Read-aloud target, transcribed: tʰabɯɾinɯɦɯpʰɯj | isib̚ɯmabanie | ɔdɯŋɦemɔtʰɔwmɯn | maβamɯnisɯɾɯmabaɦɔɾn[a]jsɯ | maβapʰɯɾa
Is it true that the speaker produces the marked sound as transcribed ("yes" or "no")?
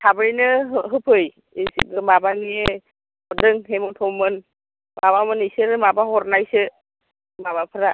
yes